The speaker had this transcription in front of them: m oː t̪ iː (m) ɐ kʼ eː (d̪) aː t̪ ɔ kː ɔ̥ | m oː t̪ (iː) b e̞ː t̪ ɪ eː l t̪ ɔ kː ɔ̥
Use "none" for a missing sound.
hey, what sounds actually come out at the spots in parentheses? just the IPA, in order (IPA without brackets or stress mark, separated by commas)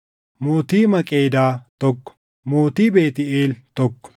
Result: m, d̪, iː